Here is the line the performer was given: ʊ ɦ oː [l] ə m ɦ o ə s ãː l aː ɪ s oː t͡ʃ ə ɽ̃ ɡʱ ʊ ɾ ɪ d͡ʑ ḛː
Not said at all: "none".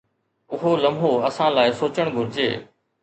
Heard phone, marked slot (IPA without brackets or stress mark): l